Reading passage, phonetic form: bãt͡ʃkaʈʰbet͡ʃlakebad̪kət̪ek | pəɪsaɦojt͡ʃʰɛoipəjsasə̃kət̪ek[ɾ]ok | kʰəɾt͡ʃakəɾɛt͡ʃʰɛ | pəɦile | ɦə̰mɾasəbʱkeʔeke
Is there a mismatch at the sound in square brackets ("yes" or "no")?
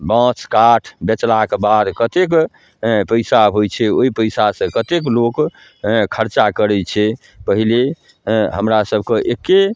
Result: yes